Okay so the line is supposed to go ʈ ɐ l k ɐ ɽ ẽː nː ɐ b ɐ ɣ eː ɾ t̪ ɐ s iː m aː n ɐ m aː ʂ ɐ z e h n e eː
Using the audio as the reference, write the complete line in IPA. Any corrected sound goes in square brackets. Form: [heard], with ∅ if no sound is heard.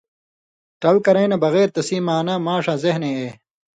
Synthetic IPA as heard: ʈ ɐ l k ɐ [ɾ] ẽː [n] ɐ b ɐ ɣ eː ɾ t̪ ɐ s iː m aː n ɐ m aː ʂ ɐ z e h n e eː